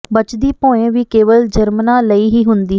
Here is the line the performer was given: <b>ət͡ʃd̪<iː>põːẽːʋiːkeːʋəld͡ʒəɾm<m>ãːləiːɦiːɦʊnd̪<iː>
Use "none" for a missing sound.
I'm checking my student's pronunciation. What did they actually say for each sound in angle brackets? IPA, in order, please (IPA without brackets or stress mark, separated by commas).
b, iː, n, iː